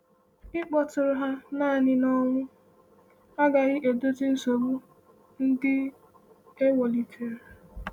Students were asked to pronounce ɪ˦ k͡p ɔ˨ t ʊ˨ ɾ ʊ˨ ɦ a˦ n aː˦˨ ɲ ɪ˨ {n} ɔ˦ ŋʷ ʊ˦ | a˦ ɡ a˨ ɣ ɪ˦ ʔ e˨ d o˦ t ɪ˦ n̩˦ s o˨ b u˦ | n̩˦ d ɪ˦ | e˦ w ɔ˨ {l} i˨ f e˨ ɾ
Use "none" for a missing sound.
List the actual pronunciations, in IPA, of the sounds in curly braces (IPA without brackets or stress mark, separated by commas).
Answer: n, l